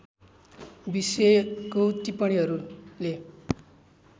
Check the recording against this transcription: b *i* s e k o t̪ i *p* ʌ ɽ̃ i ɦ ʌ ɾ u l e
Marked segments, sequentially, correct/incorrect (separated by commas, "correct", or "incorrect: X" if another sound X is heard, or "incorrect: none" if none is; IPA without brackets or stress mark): correct, correct